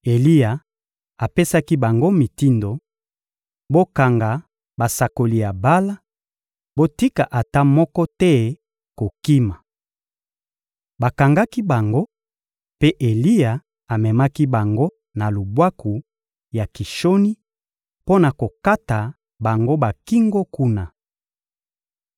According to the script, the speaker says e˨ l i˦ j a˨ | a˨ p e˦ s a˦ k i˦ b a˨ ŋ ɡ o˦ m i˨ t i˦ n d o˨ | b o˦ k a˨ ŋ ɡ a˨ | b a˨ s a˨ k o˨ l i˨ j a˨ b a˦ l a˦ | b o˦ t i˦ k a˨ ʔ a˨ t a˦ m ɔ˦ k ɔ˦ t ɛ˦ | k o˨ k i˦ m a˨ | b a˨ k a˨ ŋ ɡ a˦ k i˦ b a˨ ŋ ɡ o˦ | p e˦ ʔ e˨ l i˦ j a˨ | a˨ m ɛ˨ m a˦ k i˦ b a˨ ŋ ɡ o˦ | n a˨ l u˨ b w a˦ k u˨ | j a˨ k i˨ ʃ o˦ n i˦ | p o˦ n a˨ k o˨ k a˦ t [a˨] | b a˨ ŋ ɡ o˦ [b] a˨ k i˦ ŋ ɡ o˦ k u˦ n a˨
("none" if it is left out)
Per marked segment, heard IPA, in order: a˨, b

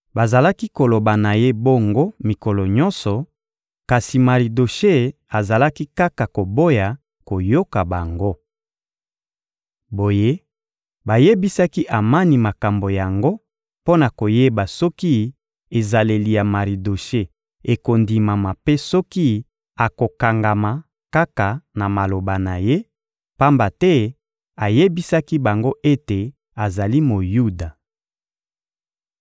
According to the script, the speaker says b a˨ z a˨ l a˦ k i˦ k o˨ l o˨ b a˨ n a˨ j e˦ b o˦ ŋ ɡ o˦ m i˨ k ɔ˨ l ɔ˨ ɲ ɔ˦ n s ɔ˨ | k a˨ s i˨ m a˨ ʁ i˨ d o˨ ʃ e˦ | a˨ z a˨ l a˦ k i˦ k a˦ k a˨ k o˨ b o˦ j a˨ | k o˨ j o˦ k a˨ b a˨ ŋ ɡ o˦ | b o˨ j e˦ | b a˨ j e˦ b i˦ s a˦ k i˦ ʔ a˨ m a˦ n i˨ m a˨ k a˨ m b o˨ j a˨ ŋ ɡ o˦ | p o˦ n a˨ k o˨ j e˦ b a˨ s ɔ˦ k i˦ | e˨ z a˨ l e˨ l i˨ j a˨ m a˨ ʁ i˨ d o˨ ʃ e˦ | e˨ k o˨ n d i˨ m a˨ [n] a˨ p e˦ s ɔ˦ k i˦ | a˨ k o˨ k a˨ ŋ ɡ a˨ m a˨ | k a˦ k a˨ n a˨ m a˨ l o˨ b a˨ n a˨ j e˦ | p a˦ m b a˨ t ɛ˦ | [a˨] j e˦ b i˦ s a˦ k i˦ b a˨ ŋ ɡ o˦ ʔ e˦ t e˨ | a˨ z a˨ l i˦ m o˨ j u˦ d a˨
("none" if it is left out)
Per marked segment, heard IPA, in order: m, a˨

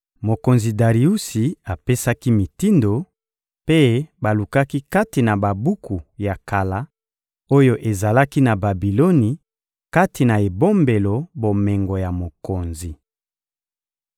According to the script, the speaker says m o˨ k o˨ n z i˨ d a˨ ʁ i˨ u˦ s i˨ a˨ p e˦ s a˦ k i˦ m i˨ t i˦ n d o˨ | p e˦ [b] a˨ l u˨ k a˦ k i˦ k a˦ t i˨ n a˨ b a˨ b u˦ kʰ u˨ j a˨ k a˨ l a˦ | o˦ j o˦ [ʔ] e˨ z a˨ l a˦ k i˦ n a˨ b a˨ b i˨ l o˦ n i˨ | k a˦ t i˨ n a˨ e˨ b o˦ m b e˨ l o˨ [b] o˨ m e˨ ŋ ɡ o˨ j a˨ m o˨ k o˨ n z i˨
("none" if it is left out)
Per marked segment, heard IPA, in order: b, ʔ, b

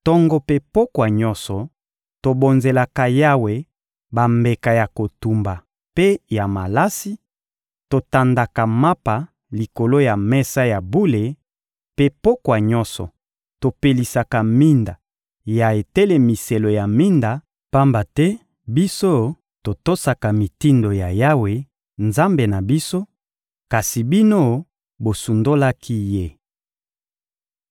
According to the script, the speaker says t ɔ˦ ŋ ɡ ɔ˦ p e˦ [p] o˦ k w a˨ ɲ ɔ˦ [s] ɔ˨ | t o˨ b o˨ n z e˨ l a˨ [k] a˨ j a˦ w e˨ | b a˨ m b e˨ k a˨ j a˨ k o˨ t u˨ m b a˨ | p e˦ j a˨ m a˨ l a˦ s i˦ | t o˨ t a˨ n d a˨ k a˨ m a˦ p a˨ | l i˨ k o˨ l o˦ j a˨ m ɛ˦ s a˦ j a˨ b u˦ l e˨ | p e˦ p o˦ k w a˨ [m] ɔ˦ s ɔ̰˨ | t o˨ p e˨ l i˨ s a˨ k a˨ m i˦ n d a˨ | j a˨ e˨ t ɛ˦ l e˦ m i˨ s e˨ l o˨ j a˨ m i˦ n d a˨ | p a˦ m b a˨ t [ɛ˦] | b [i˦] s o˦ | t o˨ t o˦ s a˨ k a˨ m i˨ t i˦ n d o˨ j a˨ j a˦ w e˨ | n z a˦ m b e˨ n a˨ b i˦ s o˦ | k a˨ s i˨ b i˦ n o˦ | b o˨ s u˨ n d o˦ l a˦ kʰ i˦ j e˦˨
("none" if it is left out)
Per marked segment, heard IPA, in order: p, s, k, ɲ, ɛ˦, i˦

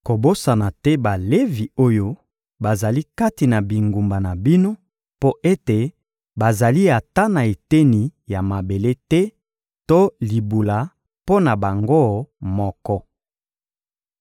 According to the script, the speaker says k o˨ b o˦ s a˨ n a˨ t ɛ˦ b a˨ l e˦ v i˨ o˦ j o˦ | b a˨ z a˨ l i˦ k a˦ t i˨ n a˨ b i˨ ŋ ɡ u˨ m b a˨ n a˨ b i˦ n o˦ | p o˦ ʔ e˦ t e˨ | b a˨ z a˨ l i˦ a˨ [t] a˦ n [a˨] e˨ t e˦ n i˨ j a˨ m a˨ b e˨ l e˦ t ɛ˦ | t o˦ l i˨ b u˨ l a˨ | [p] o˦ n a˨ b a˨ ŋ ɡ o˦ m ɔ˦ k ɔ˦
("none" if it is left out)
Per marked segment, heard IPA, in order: t, a˨, p

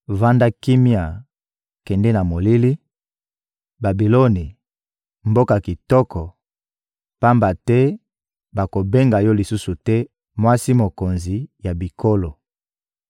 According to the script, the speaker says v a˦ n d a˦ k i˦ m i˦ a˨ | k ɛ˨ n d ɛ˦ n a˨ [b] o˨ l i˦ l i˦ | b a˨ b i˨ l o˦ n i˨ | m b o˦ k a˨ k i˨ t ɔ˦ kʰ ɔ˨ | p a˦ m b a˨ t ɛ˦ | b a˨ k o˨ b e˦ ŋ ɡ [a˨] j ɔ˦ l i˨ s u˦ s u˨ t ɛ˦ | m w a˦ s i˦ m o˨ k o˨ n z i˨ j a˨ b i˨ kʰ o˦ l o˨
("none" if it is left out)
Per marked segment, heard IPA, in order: m, a˨

